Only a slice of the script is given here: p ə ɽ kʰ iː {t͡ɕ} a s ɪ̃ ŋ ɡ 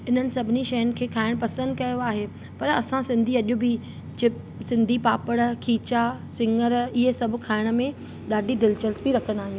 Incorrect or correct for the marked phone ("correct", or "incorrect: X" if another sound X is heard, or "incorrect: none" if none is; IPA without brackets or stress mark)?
correct